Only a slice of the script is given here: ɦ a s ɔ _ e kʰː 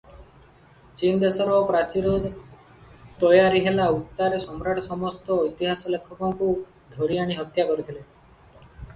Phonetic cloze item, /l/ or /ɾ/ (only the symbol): l